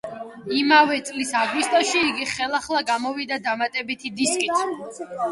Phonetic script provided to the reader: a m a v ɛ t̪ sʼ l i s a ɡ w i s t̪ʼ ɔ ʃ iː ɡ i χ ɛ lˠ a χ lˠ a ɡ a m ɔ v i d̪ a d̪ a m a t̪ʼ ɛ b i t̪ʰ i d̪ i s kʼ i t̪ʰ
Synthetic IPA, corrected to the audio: i m a v ɛ t̪ sʼ l i s a ɡ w i s t̪ʼ ɔ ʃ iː ɡ i χ ɛ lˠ a χ lˠ a ɡ a m ɔ v i d̪ a d̪ a m a t̪ʼ ɛ b i t̪ʰ i d̪ i s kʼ i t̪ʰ